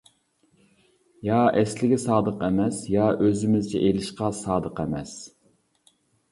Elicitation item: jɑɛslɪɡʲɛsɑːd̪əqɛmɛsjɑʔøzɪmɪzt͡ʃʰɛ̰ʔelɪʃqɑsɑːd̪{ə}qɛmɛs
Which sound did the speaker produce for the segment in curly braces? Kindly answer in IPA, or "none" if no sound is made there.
ə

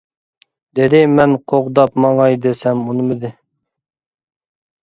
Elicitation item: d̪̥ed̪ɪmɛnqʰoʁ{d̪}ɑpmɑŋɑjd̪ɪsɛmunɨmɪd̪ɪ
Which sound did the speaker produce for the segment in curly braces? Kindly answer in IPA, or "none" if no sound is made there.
d̪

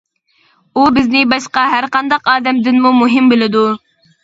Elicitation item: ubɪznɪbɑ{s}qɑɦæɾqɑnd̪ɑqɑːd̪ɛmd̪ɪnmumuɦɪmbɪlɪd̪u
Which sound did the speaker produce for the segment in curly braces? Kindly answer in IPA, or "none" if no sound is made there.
ʃ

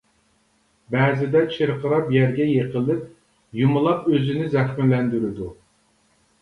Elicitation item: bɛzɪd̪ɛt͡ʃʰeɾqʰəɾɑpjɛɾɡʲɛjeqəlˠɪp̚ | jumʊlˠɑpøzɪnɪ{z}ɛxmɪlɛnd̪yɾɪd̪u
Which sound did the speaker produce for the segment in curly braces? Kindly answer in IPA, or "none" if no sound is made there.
z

